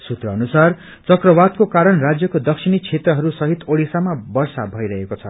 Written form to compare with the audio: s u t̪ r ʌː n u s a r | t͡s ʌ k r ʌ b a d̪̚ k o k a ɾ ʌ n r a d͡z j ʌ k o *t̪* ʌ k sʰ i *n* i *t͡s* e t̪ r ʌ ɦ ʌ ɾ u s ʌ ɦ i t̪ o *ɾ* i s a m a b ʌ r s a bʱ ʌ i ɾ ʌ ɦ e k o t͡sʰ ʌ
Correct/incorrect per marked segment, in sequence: incorrect, correct, incorrect, incorrect

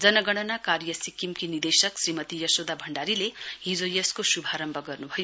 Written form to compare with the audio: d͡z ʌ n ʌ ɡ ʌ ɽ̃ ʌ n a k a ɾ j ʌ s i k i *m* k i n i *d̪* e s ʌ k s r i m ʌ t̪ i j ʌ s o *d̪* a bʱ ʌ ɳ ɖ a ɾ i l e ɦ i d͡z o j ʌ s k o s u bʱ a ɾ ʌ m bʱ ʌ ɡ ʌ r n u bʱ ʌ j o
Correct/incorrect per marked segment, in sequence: correct, correct, correct

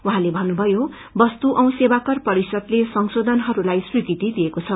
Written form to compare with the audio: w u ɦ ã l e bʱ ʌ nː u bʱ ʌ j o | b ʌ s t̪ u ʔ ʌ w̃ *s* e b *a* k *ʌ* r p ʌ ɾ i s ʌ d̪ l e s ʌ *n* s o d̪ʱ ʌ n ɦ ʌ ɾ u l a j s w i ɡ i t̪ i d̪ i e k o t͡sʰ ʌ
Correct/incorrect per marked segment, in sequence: correct, correct, correct, incorrect

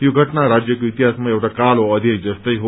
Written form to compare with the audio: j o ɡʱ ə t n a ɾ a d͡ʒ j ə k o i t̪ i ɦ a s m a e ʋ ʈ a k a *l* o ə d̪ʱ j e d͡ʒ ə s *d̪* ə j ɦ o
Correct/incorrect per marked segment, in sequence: correct, incorrect

